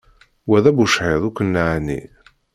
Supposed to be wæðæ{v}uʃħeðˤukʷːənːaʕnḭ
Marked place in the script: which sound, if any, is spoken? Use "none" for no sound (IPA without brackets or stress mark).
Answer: b